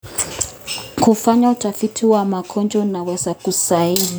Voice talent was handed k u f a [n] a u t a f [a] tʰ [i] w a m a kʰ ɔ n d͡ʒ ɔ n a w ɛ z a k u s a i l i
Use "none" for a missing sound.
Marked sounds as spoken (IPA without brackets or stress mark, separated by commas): ɲ, i, i